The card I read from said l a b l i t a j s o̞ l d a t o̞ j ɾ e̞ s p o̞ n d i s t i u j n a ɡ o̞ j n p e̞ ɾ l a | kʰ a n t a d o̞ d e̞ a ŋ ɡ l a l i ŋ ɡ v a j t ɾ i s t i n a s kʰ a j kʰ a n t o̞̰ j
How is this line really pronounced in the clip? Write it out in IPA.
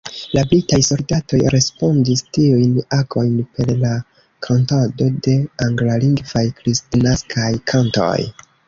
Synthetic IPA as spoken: l a b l i t a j s o̞ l d a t o̞ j ɾ e̞ s p o̞ n d i s t i u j n a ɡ o̞ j n p e̞ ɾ l a | kʰ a n t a d o̞ d e̞ a ŋ ɡ l a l i ŋ ɡ v a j k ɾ i s t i n a s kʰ a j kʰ a n t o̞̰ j

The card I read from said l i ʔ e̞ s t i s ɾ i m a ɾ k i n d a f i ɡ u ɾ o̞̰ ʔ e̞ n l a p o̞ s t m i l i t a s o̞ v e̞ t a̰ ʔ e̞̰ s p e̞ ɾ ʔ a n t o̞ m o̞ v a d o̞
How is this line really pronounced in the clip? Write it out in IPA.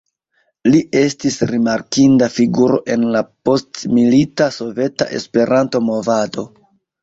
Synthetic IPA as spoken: l i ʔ e̞ s t i s ɾ i m a ɾ k i n d a f i ɡ u ɾ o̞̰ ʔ e̞ n l a p o̞ s t m i l i t a s o̞ v e̞ t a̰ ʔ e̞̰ s p e̞ ɾ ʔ a n t o̞ m o̞ v a d o̞

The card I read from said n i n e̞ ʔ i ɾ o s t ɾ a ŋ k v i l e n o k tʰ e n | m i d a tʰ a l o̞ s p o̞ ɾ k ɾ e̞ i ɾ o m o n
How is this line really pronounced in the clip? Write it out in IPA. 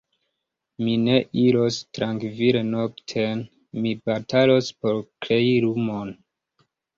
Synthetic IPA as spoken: m i n e̞ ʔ i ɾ o s t ɾ a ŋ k v i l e n o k tʰ e n | m i b a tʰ a l o̞ s p o̞ ɾ k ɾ e̞ i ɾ u m o n

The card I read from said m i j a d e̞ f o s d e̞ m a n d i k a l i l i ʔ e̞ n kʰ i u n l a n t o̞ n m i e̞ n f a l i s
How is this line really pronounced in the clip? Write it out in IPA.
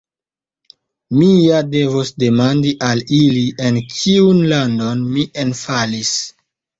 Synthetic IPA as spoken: m i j a d e̞ v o s d e̞ m a n d i ʔ a l i l i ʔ e̞ n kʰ i u n l a n d o̞ n m i e̞ n f a l i s

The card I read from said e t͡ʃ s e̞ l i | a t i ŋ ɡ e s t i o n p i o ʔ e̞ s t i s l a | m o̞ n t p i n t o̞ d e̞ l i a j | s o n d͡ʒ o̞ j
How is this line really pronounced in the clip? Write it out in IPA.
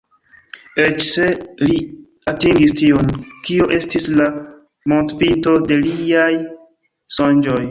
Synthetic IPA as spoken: e t͡ʃ s e̞ l i | a t i ŋ ɡ i s t i o n k i o ʔ e̞ s t i s l a | m o̞ n t p i n t o̞ d e̞ l i a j | s o n d͡ʒ o̞ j

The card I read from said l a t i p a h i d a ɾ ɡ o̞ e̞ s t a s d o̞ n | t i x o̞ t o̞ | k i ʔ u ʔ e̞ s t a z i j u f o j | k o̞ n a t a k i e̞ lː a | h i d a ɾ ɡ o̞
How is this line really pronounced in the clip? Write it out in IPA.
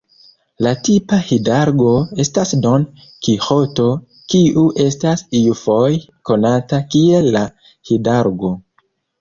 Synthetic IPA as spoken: l a t i p a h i d a ɾ ɡ o̞ e̞ s t a s d o̞ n | k i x o̞ t o̞ | k i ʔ u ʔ e̞ s t a s i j u f o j | k o̞ n a t a k i e̞ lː a | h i d a ɾ ɡ o̞

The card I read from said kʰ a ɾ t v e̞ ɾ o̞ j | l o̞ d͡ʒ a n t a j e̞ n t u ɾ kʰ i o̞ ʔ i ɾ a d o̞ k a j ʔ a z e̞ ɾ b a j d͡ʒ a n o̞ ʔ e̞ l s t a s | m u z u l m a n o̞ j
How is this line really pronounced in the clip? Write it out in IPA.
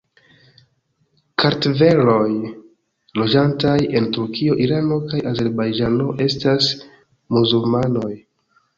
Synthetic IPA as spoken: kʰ a ɾ t v e̞ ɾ o̞ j | l o̞ d͡ʒ a n t a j e̞ n t u ɾ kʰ i o̞ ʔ i ɾ a n o̞ k a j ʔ a z e̞ ɾ b a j d͡ʒ a n o̞ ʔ e̞ s t a s | m u z u l m a n o̞ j

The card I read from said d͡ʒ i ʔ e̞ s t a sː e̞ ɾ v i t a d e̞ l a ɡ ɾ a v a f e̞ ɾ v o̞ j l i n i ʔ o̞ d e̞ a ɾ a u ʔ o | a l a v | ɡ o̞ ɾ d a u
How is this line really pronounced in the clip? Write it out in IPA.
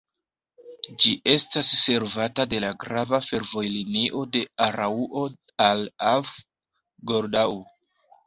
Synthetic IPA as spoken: d͡ʒ i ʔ e̞ s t a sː e̞ ɾ v a t a d e̞ l a ɡ ɾ a v a f e̞ ɾ v o̞ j l i n i ʔ o̞ d e̞ a ɾ a u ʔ o | a l a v | ɡ o̞ ɾ d a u

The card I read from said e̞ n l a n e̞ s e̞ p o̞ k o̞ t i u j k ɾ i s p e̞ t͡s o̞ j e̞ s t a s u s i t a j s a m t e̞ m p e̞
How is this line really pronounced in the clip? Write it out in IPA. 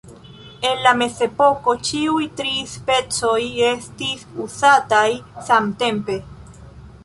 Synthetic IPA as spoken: e̞ n l a m e̞ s e̞ p o̞ k o̞ t͡ʃ i u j t ɾ i s p e̞ t͡s o̞ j e̞ s t i s u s a t a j s a m t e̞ m p e̞

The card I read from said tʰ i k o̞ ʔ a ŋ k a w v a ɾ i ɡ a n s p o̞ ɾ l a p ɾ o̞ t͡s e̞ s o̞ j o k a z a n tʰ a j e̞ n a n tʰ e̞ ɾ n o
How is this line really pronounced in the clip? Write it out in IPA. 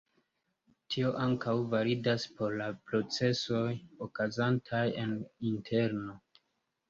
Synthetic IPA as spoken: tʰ i o̞ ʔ a ŋ k a w v a ɾ i d a s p o̞ ɾ l a p ɾ o̞ t͡s e̞ s o̞ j o k a z a n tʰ a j e̞ n i n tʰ e̞ ɾ n o

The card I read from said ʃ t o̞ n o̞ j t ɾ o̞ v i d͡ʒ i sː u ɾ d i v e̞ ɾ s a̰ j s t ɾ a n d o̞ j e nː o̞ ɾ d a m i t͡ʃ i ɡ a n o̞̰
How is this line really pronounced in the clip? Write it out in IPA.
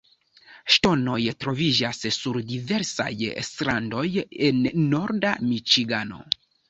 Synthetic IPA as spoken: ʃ t o̞ n o̞ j t ɾ o̞ v i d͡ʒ a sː u ɾ d i v e̞ ɾ s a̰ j s t ɾ a n d o̞ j e nː o̞ ɾ d a m i t͡ʃ i ɡ a n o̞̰

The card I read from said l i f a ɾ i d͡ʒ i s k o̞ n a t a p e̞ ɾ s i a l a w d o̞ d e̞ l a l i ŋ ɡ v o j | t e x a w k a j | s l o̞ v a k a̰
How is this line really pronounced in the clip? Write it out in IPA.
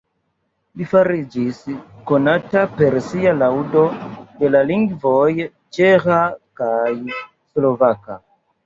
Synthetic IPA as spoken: l i f a ɾ i d͡ʒ i s k o̞ n a t a p e̞ ɾ s i a l a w d o̞ d e̞ l a l i ŋ ɡ v o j | t͡ʃ e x a k a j | s l o̞ v a k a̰

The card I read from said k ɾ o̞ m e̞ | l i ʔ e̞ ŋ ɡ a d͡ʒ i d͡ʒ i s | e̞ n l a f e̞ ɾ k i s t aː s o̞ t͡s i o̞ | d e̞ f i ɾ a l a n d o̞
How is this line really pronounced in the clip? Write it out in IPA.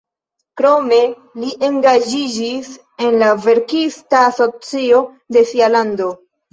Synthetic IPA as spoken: k ɾ o̞ m e̞ | l i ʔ e̞ ŋ ɡ a d͡ʒ i d͡ʒ i s | e̞ n l a v e̞ ɾ k i s t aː s o̞ t͡s i o̞ | d e̞ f i a l a n d o̞

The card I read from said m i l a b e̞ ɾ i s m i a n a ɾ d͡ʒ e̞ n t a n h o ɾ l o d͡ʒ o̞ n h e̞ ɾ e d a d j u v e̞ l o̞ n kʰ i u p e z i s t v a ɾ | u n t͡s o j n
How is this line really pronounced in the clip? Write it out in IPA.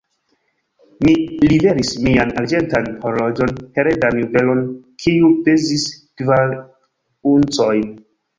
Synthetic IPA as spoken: m i l i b e̞ ɾ i s m i a n a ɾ d͡ʒ e̞ n t a n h o ɾ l o d͡ʒ o̞ n h e̞ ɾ e d a n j u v e̞ l o̞ n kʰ i u p e z i s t v a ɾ | u n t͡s o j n

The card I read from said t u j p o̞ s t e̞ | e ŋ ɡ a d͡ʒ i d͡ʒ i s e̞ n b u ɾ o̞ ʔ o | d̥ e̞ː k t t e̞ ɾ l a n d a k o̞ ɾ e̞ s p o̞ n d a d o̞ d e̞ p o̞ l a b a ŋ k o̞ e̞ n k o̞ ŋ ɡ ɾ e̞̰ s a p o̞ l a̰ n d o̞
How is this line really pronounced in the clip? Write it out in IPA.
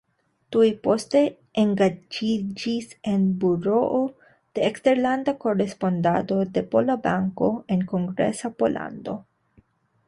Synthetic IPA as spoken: t u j p o̞ s t e̞ | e ŋ ɡ a d͡ʒ i d͡ʒ i s e̞ n b u ɾ o̞ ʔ o | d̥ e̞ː k s t e̞ ɾ l a n d a k o̞ ɾ e̞ s p o̞ n d a d o̞ d e̞ p o̞ l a b a ŋ k o̞ e̞ n k o̞ ŋ ɡ ɾ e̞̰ s a p o̞ l a̰ n d o̞

